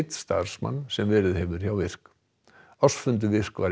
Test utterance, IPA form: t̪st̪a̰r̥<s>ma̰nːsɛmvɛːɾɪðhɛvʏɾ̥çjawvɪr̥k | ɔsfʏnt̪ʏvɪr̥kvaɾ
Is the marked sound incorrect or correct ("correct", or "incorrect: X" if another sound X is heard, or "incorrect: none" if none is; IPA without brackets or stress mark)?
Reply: correct